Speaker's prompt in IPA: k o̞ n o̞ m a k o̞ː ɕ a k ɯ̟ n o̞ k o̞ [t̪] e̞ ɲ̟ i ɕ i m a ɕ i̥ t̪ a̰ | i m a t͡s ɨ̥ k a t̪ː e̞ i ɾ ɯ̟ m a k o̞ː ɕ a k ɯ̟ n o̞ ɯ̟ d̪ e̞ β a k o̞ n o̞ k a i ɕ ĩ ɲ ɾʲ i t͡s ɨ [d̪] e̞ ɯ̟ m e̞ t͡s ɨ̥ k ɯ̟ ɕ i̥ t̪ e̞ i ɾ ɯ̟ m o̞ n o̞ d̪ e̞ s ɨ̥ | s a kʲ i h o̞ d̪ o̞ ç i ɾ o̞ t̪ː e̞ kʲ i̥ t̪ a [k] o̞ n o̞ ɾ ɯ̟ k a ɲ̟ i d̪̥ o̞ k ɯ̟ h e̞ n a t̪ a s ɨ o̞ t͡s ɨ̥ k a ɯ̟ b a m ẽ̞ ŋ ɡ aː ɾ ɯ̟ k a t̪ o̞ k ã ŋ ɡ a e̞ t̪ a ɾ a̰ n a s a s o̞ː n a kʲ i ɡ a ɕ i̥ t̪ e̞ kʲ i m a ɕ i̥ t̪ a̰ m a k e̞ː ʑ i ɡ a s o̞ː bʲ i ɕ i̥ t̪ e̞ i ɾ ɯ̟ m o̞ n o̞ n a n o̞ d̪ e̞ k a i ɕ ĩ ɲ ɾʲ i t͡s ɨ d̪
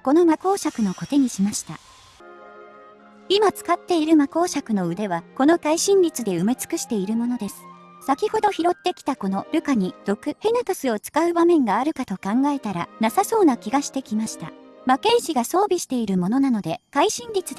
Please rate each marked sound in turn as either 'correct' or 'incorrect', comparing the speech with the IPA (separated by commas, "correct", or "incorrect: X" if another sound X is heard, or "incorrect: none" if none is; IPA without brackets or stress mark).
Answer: correct, correct, correct